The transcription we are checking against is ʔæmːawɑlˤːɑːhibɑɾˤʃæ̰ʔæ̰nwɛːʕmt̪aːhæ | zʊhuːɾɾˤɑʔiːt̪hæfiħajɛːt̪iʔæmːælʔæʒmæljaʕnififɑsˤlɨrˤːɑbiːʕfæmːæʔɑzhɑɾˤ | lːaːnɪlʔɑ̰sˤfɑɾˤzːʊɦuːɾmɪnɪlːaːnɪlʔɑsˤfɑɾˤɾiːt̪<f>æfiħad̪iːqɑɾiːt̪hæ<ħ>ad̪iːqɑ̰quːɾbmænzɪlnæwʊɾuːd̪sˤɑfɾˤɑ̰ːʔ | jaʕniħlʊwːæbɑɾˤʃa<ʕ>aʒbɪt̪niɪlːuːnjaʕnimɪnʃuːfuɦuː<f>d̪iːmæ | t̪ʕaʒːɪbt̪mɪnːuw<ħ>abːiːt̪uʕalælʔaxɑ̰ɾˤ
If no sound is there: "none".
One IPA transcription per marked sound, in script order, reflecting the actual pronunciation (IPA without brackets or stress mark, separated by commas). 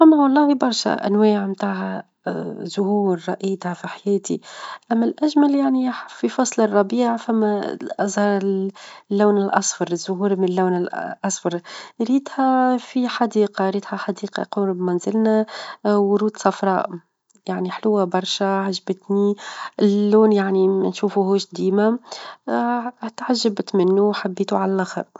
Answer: h, ħ, ʕ, ʃ, ħ